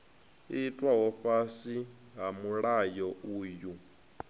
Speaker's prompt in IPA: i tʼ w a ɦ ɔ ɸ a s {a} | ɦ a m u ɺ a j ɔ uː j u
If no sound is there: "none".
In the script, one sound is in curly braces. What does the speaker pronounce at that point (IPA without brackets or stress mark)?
i